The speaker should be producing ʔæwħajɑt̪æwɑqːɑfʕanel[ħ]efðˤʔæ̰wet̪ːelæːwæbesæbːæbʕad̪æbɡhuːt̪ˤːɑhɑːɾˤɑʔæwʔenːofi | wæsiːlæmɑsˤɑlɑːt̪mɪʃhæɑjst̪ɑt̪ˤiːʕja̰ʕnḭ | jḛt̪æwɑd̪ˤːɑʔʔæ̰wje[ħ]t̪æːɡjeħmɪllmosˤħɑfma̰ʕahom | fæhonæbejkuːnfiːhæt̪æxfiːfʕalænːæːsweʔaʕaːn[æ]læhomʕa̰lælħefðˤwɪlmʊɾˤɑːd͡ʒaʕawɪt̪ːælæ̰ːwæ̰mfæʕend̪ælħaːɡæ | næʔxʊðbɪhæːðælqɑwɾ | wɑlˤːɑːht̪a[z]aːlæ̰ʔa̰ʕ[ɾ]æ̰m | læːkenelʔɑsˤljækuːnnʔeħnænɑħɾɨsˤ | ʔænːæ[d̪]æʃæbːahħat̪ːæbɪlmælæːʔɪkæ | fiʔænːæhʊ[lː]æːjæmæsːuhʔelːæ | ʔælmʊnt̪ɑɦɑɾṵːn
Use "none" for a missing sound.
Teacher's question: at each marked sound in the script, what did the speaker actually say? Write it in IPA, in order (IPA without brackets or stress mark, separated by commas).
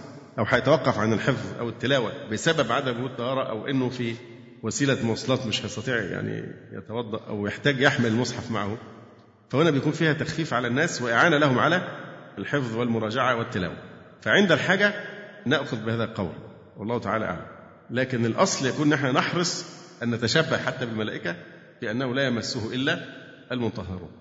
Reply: ħ, ħ, æ, ʕ, l, t̪, l